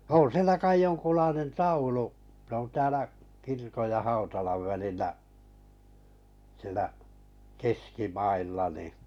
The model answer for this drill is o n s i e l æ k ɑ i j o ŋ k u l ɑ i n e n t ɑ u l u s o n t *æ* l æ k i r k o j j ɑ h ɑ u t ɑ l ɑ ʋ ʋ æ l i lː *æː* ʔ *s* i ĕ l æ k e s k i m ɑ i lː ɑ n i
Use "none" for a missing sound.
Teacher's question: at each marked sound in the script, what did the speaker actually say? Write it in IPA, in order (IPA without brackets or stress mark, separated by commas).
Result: æː, æ, s